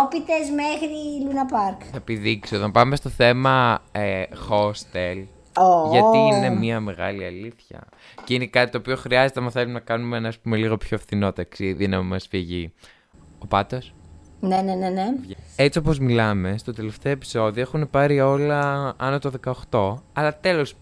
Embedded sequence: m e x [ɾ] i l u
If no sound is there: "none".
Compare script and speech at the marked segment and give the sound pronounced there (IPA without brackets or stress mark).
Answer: ɾ